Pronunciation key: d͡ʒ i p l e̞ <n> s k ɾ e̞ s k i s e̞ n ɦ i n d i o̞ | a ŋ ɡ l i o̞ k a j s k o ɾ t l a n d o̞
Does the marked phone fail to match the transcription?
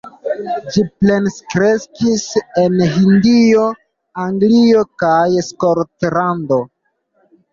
no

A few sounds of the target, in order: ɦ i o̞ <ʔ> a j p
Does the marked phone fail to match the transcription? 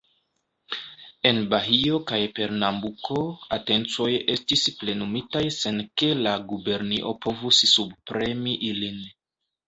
yes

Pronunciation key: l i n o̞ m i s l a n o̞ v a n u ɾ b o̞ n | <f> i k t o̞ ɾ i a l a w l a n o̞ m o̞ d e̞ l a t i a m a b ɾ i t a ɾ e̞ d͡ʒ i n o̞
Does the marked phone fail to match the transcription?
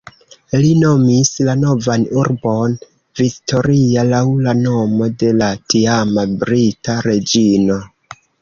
yes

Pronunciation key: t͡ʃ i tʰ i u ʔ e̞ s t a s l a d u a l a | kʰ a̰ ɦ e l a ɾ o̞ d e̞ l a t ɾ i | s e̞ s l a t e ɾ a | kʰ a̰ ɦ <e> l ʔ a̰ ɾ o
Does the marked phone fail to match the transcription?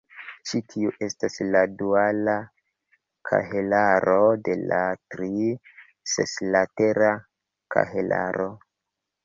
no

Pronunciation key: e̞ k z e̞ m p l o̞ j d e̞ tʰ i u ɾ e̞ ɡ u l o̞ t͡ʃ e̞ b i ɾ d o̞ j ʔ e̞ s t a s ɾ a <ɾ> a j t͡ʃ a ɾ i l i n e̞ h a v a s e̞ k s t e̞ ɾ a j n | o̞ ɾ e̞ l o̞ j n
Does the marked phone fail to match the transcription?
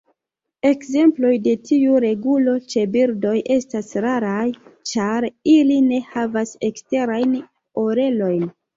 no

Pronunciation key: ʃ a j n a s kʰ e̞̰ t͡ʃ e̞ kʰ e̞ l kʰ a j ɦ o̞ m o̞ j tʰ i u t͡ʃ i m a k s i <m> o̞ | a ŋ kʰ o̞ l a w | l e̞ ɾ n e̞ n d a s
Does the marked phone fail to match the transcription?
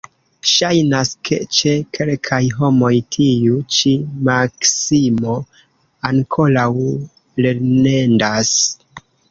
no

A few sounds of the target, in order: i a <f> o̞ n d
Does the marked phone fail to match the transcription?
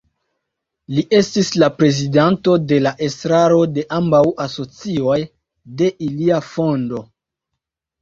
no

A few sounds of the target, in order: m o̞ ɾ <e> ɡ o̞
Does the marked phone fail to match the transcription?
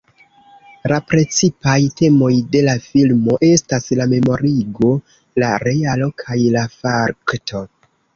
yes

